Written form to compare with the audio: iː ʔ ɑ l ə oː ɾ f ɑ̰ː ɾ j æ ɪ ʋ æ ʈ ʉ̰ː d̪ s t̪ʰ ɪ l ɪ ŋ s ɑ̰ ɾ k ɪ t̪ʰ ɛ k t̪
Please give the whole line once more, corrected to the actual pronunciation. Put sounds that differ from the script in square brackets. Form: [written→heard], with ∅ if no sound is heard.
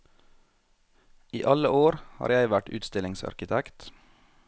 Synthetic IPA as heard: iː ʔ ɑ l ə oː ɾ [f→h] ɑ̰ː ɾ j æ ɪ ʋ æ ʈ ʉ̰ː [d̪→t̪] s [t̪ʰ→t̪] ɪ l ɪ ŋ s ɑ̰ ɾ k ɪ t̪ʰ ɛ k t̪

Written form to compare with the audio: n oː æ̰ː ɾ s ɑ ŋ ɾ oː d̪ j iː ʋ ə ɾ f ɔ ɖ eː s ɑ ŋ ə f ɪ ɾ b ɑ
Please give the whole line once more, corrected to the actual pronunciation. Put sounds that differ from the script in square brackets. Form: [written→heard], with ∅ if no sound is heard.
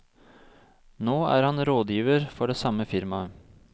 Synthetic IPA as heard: n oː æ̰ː ɾ [s→h] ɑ [ŋ→n] ɾ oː d̪ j iː ʋ ə ɾ f ɔ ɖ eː s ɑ [ŋ→m] ə f ɪ ɾ [b→m] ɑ

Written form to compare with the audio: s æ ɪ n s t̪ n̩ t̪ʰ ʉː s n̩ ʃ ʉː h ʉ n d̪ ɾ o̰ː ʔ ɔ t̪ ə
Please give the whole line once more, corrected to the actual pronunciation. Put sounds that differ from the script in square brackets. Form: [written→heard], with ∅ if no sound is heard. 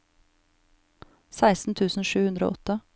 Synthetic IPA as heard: s æ ɪ [n→∅] s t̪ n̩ t̪ʰ ʉː s n̩ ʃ ʉː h ʉ n d̪ ɾ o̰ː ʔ ɔ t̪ ə

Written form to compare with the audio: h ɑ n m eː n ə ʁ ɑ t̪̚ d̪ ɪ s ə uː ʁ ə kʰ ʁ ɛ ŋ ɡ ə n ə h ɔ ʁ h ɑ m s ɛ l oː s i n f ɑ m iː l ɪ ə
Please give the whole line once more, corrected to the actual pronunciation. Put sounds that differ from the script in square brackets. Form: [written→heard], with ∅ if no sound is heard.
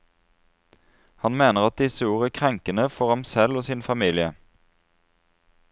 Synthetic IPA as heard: h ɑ n m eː n ə ʁ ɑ t̪̚ d̪ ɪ s ə uː ʁ ə kʰ ʁ ɛ ŋ [ɡ→k] ə n ə [h→f] ɔ ʁ h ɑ m s ɛ l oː s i n f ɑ m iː l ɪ ə

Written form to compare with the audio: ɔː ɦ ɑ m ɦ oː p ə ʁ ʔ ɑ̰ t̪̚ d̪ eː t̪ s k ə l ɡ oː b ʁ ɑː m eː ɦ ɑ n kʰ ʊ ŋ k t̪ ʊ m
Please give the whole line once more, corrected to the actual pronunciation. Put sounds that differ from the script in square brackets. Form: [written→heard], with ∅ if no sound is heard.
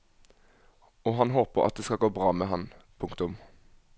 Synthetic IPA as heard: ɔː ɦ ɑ [m→n] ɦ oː p ə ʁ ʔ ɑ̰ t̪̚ d̪ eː [t̪→∅] s k [ə→ɑ] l ɡ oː b ʁ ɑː m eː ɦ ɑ n [kʰ→pʰ] ʊ ŋ k t̪ ʊ m

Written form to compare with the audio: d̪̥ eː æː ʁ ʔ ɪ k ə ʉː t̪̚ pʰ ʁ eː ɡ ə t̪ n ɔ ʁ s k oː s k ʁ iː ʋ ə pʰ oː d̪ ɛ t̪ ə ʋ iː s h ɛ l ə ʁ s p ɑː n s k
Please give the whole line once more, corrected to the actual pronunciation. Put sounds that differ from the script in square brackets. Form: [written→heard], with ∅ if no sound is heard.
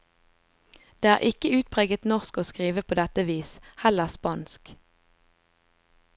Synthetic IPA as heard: d̪̥ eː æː ʁ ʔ ɪ k ə ʉː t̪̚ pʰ ʁ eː ɡ ə t̪ n ɔ ʁ s k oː s k ʁ iː ʋ ə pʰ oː d̪ ɛ t̪ ə ʋ iː s h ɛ l ə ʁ s p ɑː n s k

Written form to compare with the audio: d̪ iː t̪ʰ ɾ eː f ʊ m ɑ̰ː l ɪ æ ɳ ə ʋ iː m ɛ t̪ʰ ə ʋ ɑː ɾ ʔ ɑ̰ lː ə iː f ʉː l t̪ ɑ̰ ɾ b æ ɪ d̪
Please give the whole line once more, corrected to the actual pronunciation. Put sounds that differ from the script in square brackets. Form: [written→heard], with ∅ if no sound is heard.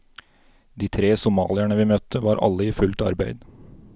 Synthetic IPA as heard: d̪ iː t̪ʰ ɾ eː [f→s] ʊ m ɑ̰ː l ɪ æ ɳ ə ʋ iː m [ɛ→œ] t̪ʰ ə ʋ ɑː ɾ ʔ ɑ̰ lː ə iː f [ʉː→ʉ] l t̪ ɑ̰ ɾ b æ ɪ d̪

